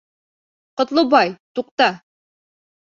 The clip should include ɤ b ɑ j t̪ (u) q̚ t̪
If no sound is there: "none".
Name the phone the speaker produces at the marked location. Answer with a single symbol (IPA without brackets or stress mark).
u